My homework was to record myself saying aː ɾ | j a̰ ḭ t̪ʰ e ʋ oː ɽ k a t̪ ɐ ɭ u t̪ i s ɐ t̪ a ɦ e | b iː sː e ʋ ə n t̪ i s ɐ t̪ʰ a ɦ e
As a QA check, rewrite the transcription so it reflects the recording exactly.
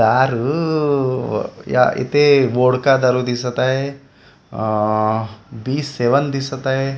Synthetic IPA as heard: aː ɾ | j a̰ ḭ t̪ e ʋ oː ɽ k a d̪ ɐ ɾ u d̪ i s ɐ t̪ a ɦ e | b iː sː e ʋ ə n d̪ i s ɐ t̪ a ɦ e